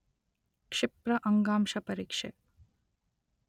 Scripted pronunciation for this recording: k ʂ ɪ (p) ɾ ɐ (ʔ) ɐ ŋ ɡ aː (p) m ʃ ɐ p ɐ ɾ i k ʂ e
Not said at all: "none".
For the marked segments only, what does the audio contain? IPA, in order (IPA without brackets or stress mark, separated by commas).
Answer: p, ʔ, none